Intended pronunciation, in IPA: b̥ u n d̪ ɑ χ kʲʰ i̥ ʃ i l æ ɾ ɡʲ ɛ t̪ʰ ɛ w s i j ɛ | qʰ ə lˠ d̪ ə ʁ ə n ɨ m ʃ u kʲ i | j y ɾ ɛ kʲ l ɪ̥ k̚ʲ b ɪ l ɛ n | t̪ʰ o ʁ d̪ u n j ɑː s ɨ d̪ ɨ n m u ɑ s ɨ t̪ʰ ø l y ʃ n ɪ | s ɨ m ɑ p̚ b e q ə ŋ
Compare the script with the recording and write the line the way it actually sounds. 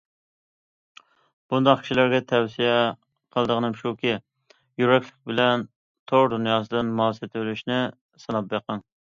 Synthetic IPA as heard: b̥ u n d̪ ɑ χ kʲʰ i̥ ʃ i l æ ɾ ɡʲ ɛ t̪ʰ ɛ w s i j ɛ | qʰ ə lˠ d̪ ə ʁ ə n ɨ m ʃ u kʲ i | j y ɾ ɛ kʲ l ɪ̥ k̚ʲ b ɪ l ɛ n | t̪ʰ o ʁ d̪ u n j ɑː s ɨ d̪ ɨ n m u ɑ s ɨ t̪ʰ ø l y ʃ n ɪ | s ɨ n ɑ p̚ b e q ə ŋ